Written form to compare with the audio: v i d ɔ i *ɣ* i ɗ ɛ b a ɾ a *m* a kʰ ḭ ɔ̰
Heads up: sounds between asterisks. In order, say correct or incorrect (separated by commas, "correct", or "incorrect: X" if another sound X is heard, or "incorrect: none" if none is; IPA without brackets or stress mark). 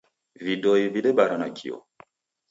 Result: incorrect: v, incorrect: n